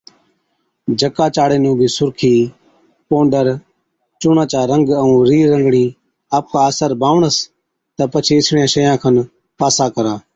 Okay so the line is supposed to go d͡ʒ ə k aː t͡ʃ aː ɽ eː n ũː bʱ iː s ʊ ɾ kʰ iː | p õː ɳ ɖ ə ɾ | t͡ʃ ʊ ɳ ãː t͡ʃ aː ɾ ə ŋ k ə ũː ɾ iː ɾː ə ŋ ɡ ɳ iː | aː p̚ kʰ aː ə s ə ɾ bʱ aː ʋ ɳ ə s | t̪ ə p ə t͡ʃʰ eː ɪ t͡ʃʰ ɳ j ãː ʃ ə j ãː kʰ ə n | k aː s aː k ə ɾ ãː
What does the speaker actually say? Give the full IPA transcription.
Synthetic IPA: d͡ʒ ə k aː t͡ʃ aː ɽ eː n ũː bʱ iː s ʊ ɾ kʰ iː | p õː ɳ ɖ ə ɾ | t͡ʃ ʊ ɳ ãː t͡ʃ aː ɾ ə ŋ ɡ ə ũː ɾ iː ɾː ə ŋ ɡ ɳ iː | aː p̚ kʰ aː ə s ə ɾ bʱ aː ʋ ɳ ə s | t̪ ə p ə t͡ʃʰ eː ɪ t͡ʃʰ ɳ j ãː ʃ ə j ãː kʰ ə n | p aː s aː k ə ɾ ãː

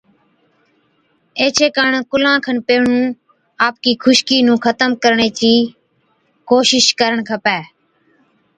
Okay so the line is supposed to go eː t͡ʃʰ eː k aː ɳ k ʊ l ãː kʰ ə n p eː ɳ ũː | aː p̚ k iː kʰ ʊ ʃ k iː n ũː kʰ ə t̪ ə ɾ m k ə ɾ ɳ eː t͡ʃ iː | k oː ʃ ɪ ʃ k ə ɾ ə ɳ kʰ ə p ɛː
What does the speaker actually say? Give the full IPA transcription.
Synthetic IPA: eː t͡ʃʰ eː k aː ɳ k ʊ l ãː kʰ ə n p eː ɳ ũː | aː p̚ k iː kʰ ʊ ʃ k iː n ũː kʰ ə t̪ ə m k ə ɾ ɳ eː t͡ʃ iː | k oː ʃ ɪ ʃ k ə ɾ ə ɳ kʰ ə p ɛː

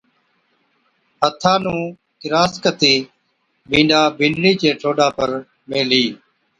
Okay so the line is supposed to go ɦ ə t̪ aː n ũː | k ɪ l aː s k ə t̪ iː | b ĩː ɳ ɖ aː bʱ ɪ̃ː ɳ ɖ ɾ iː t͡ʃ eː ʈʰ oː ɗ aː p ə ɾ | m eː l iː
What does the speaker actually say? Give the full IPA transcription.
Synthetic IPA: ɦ ə t̪ʰ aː n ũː | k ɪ ɾ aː s k ə t̪ iː | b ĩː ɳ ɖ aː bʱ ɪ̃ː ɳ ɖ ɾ iː t͡ʃ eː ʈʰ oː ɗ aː p ə ɾ | m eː l iː

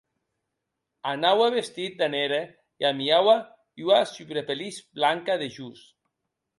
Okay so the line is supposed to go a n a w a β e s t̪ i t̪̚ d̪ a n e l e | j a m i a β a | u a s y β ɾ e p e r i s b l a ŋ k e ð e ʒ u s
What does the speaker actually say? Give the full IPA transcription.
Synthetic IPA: a n a w a β e s t̪ i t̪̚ d̪ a n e ɾ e | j a m i a w a | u a s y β ɾ e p e l i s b l a ŋ k a ð e ʒ u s

